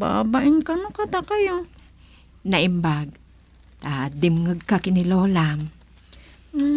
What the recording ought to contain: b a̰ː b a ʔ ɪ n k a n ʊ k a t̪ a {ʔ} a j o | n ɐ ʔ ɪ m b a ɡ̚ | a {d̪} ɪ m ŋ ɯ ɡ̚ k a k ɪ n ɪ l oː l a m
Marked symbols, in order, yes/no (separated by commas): no, yes